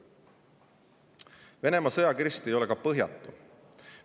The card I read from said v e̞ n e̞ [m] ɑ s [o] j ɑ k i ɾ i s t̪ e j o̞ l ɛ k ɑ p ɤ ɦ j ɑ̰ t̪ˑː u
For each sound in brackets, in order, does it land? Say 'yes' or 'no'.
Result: yes, no

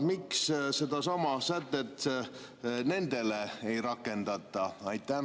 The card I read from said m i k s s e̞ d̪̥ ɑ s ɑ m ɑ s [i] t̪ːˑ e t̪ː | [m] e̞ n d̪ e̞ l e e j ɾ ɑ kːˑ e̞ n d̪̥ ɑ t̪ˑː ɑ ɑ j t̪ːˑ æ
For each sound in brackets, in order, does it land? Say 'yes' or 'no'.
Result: no, no

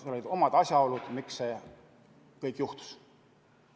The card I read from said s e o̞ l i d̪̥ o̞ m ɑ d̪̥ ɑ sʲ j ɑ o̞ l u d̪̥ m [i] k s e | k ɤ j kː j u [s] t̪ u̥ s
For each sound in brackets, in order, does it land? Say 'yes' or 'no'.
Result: yes, no

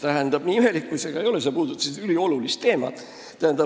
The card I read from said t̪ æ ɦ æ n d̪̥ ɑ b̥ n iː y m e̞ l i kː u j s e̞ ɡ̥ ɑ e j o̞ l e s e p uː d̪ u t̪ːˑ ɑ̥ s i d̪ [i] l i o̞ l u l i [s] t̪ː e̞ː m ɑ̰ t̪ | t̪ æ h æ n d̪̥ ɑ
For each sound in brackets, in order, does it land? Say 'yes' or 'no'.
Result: no, yes

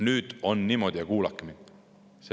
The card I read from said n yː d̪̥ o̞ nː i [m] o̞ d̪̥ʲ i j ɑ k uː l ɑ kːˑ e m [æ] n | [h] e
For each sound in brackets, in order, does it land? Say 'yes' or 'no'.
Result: yes, no, no

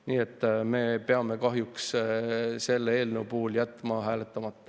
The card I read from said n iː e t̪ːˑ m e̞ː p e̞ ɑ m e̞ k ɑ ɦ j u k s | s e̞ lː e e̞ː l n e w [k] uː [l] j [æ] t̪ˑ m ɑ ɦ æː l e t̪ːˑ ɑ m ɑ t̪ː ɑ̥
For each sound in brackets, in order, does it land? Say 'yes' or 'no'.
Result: no, yes, yes

